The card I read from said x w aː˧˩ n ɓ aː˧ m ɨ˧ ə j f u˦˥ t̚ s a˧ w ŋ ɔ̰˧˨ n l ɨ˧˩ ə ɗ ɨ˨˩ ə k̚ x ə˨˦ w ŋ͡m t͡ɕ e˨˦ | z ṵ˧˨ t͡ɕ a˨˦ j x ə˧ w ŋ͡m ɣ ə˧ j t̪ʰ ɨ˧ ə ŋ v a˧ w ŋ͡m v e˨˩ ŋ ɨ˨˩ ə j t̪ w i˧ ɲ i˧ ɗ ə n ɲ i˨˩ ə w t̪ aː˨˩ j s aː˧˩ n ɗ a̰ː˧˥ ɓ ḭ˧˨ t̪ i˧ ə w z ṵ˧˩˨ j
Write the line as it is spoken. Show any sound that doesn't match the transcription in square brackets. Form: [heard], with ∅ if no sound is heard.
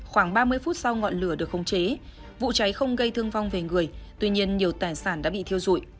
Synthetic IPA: x w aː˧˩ [ŋ] ɓ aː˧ m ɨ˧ ə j f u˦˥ t̚ s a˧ w ŋ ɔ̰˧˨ n l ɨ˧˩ ə ɗ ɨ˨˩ ə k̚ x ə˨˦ w ŋ͡m t͡ɕ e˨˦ | [v] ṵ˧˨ t͡ɕ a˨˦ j x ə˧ w ŋ͡m ɣ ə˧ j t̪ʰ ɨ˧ ə ŋ v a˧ w ŋ͡m v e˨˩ ŋ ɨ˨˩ ə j t̪ w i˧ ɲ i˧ [∅] ə n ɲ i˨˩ ə w t̪ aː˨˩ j s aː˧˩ n ɗ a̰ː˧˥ ɓ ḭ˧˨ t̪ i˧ ə w z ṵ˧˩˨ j